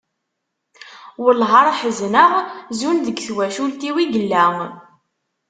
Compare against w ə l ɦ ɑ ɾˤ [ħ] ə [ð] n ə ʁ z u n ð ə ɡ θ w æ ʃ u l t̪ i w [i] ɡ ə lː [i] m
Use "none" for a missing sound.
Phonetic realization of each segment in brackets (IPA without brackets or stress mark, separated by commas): ħ, z, i, æ